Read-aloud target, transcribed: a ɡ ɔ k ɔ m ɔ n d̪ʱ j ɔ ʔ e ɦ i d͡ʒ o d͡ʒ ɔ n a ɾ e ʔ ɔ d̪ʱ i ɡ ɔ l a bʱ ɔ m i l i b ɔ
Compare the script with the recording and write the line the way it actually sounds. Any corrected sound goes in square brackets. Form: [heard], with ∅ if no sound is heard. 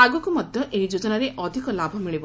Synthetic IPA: a ɡ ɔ k [u] m ɔ [∅] d̪ʱ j ɔ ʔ e ɦ i d͡ʒ o d͡ʒ ɔ n a ɾ e ʔ ɔ d̪ʱ i [k] ɔ l a bʱ ɔ m i [ɭ] i b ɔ

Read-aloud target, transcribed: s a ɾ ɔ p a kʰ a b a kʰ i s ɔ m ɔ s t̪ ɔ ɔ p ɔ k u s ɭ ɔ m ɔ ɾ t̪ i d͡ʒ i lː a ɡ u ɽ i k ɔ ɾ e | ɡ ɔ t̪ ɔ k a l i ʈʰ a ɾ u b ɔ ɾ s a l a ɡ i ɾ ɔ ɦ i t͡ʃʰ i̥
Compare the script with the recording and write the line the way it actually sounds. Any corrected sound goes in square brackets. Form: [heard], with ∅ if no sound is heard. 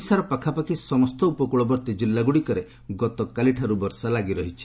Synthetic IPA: s a ɾ ɔ p a kʰ a [p] a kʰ i s ɔ m ɔ s t̪ ɔ [u] p ɔ k u [∅] ɭ ɔ [b] ɔ ɾ t̪ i d͡ʒ i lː a ɡ u ɽ i k ɔ ɾ e | ɡ ɔ t̪ ɔ k a l i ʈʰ a ɾ u b ɔ ɾ s a l a ɡ i ɾ ɔ ɦ i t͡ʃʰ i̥

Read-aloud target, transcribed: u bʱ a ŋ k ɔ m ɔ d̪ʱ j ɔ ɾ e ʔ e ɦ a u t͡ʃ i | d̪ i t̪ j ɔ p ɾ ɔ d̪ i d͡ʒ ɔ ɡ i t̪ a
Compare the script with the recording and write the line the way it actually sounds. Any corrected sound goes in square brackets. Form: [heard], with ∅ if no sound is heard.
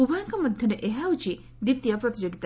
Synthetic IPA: u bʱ a ŋ k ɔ m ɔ d̪ʱ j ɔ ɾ e ʔ e ɦ a u t͡ʃ i | d̪ i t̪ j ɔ p ɾ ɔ [t̪] i d͡ʒ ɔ ɡ i t̪ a

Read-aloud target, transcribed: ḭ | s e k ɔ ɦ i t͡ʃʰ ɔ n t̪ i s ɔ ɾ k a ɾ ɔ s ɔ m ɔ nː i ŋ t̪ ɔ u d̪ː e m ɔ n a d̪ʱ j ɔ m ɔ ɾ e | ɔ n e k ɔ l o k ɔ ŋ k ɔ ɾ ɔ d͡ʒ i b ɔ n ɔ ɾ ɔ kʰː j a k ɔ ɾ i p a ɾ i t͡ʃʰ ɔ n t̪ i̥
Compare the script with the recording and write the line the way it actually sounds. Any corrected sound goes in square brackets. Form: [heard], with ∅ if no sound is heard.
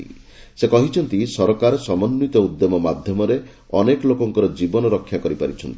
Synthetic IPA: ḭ | s e k ɔ ɦ i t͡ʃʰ ɔ n t̪ i s ɔ ɾ k a ɾ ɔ s ɔ m ɔ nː i [∅] t̪ ɔ u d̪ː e m ɔ [m] a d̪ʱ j ɔ m ɔ ɾ e | ɔ n e k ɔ l o k ɔ ŋ k ɔ ɾ ɔ d͡ʒ i b ɔ n ɔ ɾ ɔ kʰː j a k ɔ ɾ i p a ɾ i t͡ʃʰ ɔ n t̪ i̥

